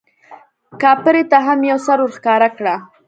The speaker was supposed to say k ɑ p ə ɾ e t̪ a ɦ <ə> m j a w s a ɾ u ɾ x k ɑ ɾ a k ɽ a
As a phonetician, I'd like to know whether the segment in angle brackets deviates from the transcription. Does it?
yes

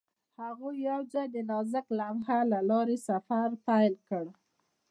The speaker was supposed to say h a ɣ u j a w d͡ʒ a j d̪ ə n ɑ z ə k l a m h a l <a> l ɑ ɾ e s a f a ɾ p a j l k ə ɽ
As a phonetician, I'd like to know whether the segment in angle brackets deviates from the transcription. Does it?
no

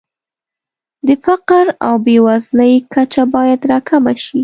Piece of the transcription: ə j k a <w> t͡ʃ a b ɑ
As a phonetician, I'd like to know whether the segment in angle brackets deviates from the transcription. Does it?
yes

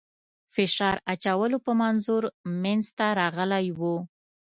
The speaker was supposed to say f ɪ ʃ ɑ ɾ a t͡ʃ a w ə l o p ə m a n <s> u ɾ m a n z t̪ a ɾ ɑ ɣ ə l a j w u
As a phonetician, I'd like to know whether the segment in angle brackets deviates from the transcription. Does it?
yes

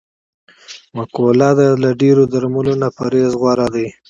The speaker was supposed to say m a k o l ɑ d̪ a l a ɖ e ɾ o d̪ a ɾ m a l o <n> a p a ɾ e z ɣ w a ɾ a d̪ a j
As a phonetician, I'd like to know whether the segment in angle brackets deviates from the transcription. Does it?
no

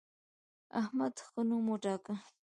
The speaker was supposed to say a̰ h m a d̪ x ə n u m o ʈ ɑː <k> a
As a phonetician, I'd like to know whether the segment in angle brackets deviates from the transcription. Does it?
no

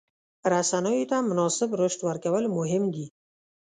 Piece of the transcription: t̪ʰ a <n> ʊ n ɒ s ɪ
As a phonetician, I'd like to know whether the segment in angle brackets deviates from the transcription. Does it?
yes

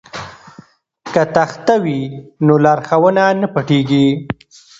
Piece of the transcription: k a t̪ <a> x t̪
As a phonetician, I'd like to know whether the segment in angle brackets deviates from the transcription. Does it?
no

